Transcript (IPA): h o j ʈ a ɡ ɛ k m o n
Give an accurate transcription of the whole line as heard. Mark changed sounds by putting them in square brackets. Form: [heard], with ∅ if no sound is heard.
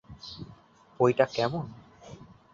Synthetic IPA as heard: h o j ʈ a [k] ɛ [∅] m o n